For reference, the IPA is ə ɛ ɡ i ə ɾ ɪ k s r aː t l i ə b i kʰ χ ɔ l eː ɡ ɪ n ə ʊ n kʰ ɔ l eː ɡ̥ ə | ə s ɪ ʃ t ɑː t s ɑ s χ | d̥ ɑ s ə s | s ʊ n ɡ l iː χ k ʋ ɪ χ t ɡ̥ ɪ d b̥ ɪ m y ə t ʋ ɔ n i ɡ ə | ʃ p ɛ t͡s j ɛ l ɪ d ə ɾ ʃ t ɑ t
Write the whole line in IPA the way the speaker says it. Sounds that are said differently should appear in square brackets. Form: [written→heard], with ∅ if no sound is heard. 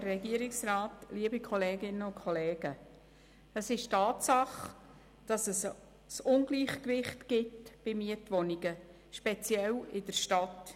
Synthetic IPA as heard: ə ɛ ɡ i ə ɾ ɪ k s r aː t l i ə b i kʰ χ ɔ l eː ɡ ɪ n ə ʊ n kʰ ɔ l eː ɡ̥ ə | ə s ɪ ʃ t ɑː t s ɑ [s→∅] χ | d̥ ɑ s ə s | s ʊ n ɡ l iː χ k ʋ ɪ χ t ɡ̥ ɪ [d→t] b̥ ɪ m [y→i] ə t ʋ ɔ n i ɡ ə | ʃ p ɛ t͡s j ɛ l ɪ d ə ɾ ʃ t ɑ t